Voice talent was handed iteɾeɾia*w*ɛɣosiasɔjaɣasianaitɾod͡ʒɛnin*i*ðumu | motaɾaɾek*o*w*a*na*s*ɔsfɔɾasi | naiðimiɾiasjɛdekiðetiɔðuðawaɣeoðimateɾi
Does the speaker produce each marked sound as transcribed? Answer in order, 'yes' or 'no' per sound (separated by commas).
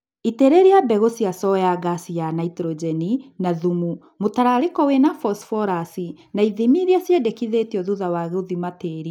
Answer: no, no, no, no, no